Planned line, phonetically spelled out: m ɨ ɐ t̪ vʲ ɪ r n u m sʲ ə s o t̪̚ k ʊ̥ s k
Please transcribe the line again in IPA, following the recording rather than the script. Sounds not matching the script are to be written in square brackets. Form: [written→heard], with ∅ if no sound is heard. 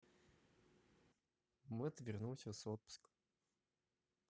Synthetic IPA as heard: m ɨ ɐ t̪ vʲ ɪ r n u m sʲ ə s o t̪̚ [k→p] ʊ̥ s k